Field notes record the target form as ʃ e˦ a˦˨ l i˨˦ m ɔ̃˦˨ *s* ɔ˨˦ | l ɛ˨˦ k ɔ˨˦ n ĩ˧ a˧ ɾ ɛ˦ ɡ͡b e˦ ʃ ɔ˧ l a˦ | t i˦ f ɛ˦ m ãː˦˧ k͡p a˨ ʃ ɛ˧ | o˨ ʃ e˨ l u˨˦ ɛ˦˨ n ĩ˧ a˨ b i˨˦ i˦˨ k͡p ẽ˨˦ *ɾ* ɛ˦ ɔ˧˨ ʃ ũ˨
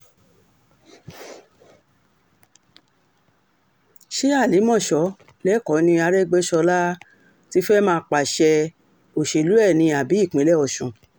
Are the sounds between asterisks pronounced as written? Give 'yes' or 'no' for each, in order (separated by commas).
no, no